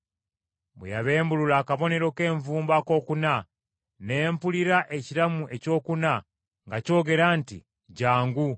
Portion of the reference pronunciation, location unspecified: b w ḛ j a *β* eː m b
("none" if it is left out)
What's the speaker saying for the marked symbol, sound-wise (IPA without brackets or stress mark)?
β